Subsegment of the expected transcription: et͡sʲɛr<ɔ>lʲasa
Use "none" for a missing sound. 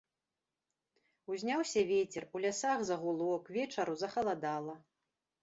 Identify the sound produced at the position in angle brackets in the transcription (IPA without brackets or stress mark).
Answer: u